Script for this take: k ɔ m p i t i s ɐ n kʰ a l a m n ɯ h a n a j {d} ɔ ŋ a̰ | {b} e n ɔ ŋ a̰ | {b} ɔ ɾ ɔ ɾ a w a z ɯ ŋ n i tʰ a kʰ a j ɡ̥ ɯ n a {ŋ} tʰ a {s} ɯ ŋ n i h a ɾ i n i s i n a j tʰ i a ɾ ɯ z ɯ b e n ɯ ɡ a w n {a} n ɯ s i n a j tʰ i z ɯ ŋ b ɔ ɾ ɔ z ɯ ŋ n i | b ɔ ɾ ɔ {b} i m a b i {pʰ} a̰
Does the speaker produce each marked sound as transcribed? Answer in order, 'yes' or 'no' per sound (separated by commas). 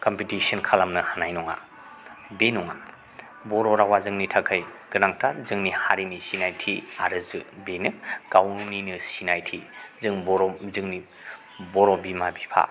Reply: no, yes, yes, yes, no, no, yes, yes